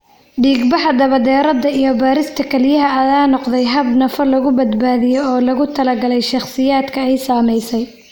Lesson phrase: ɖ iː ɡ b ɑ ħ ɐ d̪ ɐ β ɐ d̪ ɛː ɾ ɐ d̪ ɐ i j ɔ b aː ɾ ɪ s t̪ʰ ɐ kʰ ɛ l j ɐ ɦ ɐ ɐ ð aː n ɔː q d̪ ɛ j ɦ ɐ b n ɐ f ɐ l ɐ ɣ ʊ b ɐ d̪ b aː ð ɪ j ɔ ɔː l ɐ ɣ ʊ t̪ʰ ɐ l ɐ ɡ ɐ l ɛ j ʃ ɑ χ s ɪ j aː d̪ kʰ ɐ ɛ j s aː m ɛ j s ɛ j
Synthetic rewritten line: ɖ iː ɡ b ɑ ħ ɐ d̪ ɐ β ɐ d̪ ɛː ɾ ɐ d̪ ɐ i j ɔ b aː ɾ ɪ s t̪ʰ ɐ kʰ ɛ l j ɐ ɦ ɐ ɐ ð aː n ɔ q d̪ ɛ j ɦ ɐ b n ɐ f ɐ l ɐ ɣ ʊ b ɐ d̪ b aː ð ɪ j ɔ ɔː l ɐ ɣ ʊ t̪ʰ ɐ l ɐ ɡ ɐ l ɛ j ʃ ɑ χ s ɪ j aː d̪ kʰ ɐ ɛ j s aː m ɛ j s ɛ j